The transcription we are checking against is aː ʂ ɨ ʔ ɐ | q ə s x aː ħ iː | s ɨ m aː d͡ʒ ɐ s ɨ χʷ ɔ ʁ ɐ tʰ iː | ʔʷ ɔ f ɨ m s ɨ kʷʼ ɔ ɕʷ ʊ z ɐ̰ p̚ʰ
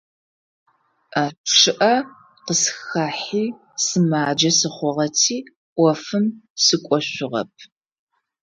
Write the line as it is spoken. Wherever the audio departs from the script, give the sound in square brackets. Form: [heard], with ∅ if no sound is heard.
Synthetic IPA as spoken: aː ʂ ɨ ʔ ɐ | q ə s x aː ħ iː | s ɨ m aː d͡ʒ ɐ s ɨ χʷ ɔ ʁ ɐ tʰ iː | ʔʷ ɔ f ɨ m s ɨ kʷʼ ɔ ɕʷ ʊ [ʁ] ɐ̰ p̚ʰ